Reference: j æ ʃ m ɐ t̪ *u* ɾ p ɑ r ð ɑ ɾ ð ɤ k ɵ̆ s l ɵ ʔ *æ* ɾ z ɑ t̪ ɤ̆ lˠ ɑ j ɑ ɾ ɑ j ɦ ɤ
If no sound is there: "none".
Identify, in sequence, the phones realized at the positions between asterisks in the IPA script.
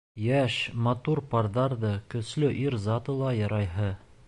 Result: u, i

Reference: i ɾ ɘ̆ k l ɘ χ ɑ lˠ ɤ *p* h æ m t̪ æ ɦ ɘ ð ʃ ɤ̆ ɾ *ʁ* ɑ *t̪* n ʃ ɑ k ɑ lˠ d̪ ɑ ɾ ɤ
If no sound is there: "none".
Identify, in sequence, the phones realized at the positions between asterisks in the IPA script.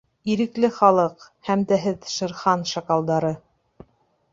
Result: q, χ, none

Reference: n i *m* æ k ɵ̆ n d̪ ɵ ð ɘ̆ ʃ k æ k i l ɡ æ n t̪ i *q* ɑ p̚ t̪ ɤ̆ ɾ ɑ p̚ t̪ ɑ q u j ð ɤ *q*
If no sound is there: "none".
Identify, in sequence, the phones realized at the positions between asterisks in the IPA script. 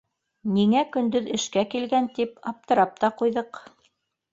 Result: ŋ, p, q

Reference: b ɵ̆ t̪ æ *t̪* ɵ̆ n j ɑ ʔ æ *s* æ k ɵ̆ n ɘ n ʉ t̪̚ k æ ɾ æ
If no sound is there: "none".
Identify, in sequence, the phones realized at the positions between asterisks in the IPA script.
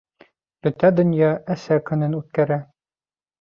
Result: d̪, s

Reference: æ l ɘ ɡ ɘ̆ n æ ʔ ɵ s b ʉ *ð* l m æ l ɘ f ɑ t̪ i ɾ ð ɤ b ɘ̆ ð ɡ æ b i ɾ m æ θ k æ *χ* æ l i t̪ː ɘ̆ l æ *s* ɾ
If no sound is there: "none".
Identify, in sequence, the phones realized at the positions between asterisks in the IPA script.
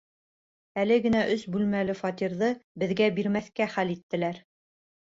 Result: none, χ, none

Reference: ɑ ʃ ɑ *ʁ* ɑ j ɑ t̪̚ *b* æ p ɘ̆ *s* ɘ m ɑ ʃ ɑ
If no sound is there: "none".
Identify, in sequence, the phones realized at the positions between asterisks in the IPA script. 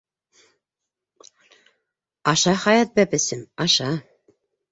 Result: χ, b, s

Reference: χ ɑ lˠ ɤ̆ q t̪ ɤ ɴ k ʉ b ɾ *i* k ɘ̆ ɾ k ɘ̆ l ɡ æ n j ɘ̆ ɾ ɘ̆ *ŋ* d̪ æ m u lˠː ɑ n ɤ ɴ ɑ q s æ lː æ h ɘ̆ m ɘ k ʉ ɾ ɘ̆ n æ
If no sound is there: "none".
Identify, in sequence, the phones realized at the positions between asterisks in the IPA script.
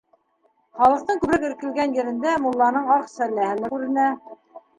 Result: æ, n

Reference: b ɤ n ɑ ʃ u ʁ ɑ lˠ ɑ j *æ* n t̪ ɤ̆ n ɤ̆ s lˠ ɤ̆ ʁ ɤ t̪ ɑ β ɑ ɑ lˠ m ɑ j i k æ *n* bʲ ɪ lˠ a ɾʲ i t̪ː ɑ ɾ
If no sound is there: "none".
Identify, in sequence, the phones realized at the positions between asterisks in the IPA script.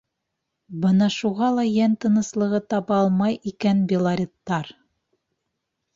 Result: æ, n

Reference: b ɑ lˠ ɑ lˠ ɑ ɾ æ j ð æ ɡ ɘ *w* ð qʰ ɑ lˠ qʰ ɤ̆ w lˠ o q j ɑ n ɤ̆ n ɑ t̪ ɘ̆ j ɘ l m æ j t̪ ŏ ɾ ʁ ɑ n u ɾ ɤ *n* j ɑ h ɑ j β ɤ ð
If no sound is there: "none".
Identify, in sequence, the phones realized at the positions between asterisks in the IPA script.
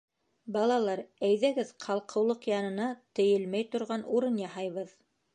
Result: none, n

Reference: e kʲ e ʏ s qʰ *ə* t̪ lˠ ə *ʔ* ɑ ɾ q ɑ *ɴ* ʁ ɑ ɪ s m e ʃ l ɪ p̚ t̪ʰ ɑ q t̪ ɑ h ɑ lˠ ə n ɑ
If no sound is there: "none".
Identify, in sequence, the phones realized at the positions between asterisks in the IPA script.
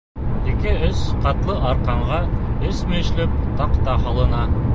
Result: ɑ, ʔ, ɴ

